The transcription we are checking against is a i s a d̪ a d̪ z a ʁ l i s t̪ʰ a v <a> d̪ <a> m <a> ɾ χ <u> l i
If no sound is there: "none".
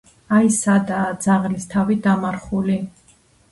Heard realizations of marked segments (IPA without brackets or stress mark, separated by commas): i, a, a, u